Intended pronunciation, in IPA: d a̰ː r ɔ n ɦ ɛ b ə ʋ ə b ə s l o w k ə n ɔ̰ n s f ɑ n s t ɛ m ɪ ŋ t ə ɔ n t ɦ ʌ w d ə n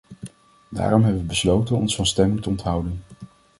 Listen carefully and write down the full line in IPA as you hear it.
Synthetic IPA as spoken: d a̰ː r ɔ m ɦ ɛ b ə ʋ ə b ə s l o w t ə n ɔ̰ n s f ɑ n s t ɛ m ɪ ŋ t ə ɔ n t ɦ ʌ w d ə n